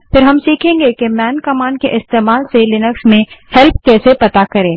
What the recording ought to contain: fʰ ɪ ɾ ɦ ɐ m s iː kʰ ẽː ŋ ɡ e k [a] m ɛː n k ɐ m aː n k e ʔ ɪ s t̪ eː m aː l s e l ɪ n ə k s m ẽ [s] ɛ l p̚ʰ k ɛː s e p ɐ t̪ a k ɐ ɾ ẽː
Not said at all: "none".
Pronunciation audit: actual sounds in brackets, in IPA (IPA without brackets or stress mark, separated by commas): e, h